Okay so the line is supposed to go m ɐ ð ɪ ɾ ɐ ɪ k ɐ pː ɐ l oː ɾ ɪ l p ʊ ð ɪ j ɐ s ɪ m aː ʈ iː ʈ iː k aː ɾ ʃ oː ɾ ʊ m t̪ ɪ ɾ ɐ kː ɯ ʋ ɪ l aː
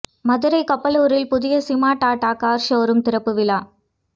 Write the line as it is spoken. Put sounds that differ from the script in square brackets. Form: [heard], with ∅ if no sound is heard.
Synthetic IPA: m ɐ ð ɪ ɾ ɐ ɪ k ɐ pː ɐ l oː ɾ ɪ l p ʊ ð ɪ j ɐ s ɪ m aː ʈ [aː] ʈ [aː] k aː ɾ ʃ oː ɾ [ɯ] m t̪ ɪ ɾ ɐ [pː] ɯ ʋ ɪ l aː